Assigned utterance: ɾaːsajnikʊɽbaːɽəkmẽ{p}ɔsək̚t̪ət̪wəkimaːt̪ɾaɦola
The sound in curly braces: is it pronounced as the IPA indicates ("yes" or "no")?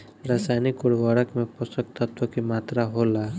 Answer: yes